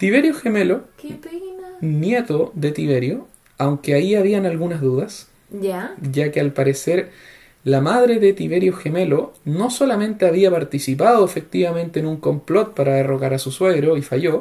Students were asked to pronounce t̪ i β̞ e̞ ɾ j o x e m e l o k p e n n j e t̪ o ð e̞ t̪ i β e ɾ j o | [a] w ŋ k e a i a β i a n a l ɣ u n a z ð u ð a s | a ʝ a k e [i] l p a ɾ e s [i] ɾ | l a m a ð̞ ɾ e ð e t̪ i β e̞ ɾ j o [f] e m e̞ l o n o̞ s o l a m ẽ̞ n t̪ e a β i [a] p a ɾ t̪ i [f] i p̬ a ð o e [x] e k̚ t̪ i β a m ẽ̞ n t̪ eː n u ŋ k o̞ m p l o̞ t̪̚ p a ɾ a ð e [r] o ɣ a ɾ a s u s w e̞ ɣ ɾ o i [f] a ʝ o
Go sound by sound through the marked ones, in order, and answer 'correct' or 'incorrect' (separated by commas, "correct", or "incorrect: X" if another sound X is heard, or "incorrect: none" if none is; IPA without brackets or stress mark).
correct, incorrect: a, incorrect: e, incorrect: x, correct, incorrect: s, incorrect: f, correct, correct